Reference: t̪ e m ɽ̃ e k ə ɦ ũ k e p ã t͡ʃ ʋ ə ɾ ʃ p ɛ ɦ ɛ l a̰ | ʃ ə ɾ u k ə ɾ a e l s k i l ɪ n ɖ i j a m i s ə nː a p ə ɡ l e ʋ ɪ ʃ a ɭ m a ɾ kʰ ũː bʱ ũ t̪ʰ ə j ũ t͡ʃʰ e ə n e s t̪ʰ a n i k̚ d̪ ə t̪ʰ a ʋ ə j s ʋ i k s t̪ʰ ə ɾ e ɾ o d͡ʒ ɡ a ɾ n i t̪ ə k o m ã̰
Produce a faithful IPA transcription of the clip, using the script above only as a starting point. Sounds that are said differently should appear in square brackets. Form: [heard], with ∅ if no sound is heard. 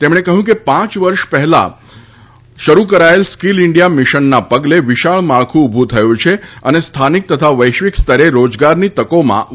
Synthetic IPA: t̪ e m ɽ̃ e k ə ɦ ũ k e p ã t͡ʃ ʋ ə ɾ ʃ p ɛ ɦ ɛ l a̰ | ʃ ə ɾ u k ə ɾ a e l s k i l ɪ [ɳ] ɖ i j a m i [ʃ] ə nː a p ə ɡ l e ʋ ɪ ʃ a ɭ m a [ɭ] kʰ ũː bʱ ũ t̪ʰ ə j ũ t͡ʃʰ e ə n e s t̪ʰ a n i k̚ [t̪] ə t̪ʰ a ʋ ə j [ʃ] ʋ i k s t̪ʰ ə ɾ e ɾ o d͡ʒ ɡ a ɾ n i t̪ ə k o m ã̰